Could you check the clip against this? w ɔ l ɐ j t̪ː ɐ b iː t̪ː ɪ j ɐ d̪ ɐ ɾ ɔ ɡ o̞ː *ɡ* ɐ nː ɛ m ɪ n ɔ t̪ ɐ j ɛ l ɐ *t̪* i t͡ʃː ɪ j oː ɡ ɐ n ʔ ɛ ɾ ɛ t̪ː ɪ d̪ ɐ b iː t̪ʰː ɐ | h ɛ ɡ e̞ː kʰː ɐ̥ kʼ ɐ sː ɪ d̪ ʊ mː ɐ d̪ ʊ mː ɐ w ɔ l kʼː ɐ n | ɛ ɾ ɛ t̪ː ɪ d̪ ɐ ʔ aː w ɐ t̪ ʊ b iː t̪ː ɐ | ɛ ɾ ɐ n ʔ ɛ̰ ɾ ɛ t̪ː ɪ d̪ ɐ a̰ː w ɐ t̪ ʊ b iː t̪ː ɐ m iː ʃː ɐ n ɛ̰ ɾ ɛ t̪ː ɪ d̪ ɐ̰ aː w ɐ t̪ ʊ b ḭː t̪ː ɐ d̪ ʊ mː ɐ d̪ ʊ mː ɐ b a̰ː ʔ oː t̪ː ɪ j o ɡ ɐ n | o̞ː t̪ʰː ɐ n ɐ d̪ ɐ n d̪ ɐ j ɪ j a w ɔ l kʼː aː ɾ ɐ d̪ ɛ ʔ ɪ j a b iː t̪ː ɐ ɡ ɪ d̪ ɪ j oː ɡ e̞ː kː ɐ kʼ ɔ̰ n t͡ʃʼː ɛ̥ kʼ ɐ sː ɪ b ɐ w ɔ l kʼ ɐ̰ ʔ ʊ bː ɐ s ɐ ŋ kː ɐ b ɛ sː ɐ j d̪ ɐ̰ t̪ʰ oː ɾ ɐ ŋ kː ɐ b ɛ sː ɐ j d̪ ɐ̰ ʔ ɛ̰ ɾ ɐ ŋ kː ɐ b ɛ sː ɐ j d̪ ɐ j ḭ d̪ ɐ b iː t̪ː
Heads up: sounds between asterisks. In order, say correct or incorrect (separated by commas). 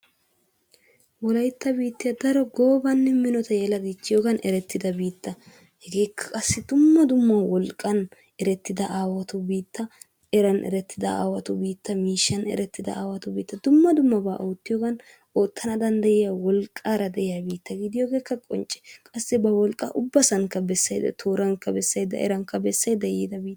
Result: incorrect, incorrect